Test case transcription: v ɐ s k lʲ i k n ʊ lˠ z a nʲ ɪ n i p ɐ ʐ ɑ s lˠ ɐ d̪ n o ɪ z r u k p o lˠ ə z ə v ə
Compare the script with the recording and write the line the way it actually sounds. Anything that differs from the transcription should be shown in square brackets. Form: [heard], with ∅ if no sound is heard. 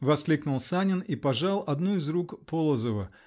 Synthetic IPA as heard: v ɐ s k lʲ i k n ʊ lˠ [s] a nʲ ɪ n i p ɐ ʐ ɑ [∅] lˠ ɐ d̪ n [u] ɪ z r u k p o lˠ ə z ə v ə

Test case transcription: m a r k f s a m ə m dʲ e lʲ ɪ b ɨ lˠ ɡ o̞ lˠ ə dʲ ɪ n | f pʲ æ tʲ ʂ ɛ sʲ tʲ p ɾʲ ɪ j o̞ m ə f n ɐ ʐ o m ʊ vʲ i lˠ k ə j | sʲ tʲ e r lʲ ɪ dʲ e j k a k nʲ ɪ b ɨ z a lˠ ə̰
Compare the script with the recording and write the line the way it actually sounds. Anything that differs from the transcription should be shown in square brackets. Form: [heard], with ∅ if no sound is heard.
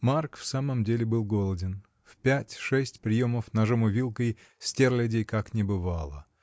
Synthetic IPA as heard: m a r k f s a m ə m dʲ e lʲ ɪ b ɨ lˠ ɡ o̞ lˠ ə dʲ ɪ n | f pʲ æ tʲ ʂ ɛ sʲ tʲ p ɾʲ ɪ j o̞ m ə f n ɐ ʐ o m ʊ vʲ i lˠ k ə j | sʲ tʲ e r lʲ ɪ dʲ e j k a k nʲ ɪ b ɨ [v] a lˠ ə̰

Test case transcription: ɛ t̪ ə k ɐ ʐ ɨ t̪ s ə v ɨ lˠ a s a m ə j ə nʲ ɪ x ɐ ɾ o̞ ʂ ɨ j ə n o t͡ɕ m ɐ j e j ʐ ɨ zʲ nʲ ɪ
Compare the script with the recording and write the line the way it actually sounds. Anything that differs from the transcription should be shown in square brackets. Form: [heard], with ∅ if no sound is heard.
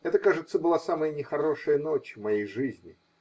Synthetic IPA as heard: ɛ t̪ ə k [a] ʐ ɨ t̪ s ə [b] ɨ lˠ a s a m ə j ə nʲ ɪ x ɐ ɾ o̞ ʂ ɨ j ə n o t͡ɕ m ɐ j e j ʐ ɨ zʲ nʲ ɪ

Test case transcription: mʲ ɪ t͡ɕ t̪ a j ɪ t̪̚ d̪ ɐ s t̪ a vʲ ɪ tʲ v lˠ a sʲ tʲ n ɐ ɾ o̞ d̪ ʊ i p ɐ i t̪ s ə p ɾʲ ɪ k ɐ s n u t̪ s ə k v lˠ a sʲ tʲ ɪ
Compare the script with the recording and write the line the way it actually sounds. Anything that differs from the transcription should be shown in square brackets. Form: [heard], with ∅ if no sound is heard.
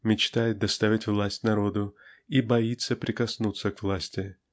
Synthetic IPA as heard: mʲ ɪ t͡ɕ t̪ a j ɪ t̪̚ d̪ ɐ s t̪ a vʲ ɪ tʲ v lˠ a sʲ tʲ n ɐ ɾ o̞ d̪ ʊ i [b] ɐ i t̪ s ə p ɾʲ ɪ k ɐ s n u t̪ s ə k v lˠ a sʲ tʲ ɪ

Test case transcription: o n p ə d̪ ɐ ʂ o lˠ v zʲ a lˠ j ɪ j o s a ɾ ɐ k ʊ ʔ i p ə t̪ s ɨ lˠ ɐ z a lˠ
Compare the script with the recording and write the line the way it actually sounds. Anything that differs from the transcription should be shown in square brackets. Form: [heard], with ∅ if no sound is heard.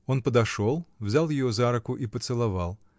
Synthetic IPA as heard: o n p ə d̪ ɐ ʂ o lˠ v zʲ a lˠ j ɪ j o [z] a ɾ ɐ k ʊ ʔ i p ə t̪ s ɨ lˠ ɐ [v] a lˠ

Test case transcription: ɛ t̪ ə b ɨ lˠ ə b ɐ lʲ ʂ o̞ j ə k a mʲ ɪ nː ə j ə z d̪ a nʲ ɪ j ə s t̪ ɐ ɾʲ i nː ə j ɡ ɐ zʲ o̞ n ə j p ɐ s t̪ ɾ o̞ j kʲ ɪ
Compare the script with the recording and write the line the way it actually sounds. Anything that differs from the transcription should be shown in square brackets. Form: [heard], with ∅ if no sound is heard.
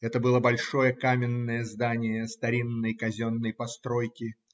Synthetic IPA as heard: ɛ t̪ ə b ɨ lˠ ə b ɐ lʲ ʂ o̞ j ə k a mʲ ɪ nː ə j ə z d̪ a nʲ ɪ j ə s t̪ ɐ ɾʲ i nː ə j [k] ɐ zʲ o̞ [nː] ə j p ɐ s t̪ ɾ o̞ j kʲ ɪ

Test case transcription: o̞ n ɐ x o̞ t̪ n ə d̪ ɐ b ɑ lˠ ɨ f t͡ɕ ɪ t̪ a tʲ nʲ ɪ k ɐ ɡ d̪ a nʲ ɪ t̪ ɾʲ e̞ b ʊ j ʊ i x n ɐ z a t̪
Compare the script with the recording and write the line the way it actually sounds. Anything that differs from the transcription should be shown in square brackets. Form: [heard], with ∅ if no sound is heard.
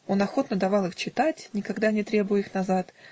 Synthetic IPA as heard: o̞ n ɐ x o̞ t̪ n ə d̪ ɐ [v] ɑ lˠ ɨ [x] t͡ɕ ɪ t̪ a tʲ nʲ ɪ k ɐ ɡ d̪ a nʲ ɪ t̪ ɾʲ e̞ b ʊ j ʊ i x n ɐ z a t̪

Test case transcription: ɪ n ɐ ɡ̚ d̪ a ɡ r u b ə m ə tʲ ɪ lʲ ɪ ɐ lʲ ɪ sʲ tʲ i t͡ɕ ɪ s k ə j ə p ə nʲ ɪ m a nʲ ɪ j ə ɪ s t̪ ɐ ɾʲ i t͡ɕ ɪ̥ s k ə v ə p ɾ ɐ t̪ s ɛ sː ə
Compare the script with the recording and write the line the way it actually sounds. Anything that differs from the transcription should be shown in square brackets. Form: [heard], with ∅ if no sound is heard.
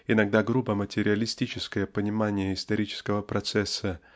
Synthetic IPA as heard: ɪ n ɐ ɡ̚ d̪ a ɡ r u b ə m ə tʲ ɪ [ɾʲ] ɪ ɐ lʲ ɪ sʲ tʲ i t͡ɕ ɪ s k ə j ə p ə nʲ ɪ m a nʲ ɪ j ə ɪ s t̪ ɐ ɾʲ i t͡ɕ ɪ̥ s k ə v ə p ɾ ɐ t̪ s ɛ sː ə

